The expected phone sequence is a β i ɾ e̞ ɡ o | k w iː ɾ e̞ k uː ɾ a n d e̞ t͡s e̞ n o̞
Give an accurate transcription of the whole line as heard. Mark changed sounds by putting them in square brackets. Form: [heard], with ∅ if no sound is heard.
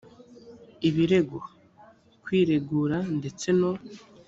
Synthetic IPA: [i] β i ɾ e̞ ɡ o | k w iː ɾ e̞ [ɡ] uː ɾ a n d e̞ t͡s e̞ n o̞